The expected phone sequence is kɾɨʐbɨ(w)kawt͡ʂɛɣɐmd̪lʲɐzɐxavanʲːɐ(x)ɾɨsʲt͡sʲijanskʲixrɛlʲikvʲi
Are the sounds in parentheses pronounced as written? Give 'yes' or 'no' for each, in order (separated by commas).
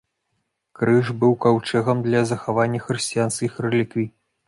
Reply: yes, yes